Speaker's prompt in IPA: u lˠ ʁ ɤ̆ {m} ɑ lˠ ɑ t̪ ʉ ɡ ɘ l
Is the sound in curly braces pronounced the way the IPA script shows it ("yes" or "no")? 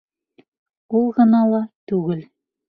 no